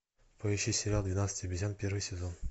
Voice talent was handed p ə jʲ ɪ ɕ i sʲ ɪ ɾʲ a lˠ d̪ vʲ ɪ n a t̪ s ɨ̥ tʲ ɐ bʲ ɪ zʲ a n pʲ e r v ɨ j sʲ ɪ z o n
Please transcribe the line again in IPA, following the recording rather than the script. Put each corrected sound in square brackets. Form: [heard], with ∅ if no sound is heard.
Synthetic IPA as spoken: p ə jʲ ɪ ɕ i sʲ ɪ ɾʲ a lˠ d̪ vʲ ɪ n a t̪ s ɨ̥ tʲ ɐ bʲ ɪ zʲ a n pʲ e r v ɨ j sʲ ɪ z o n